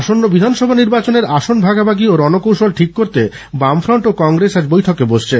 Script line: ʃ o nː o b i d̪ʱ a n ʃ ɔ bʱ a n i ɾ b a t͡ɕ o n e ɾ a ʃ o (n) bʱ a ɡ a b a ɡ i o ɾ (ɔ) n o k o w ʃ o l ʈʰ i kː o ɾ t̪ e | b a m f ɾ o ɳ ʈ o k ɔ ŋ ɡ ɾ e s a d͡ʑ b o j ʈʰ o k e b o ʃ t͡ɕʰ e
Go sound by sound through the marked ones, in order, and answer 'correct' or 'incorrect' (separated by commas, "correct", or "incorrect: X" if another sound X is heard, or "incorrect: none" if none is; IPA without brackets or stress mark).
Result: correct, correct